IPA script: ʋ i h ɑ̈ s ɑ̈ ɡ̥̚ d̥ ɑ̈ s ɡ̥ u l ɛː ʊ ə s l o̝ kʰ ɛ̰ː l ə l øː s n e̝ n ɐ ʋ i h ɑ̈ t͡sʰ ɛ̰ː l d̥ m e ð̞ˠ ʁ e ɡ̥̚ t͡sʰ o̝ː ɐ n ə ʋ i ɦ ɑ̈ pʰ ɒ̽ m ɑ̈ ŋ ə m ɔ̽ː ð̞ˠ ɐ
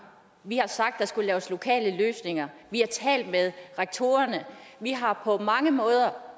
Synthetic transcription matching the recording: ʋ i h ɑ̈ s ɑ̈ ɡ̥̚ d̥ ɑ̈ s ɡ̥ u l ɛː ʊ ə s l o̝ kʰ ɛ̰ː l ə l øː s n e̝ ŋ ɐ ʋ i h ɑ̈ t͡sʰ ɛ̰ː l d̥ m e ð̞ˠ ʁ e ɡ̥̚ t͡sʰ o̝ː ɐ n ə ʋ i ɦ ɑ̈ pʰ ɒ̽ m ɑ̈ ŋ ə m ɔ̽ː ð̞ˠ ɐ